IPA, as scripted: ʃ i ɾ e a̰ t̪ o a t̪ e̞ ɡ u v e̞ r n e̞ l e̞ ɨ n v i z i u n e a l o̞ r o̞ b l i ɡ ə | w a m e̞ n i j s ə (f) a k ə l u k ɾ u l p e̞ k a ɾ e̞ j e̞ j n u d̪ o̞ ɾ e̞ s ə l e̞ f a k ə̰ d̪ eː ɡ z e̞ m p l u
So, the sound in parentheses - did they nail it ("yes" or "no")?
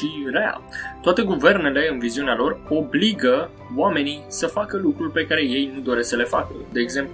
yes